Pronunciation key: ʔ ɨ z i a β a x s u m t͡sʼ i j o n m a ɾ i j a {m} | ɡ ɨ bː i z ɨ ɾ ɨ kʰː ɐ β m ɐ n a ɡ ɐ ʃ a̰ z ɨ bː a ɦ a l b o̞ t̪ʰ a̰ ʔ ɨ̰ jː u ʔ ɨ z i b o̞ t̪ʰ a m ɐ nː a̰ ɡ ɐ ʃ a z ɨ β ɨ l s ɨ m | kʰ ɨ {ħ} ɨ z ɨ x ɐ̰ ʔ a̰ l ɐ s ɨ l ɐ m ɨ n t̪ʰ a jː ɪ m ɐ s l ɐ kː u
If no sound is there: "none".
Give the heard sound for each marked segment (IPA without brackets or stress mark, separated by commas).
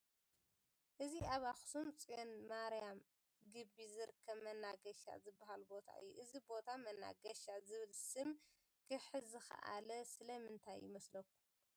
m, ħ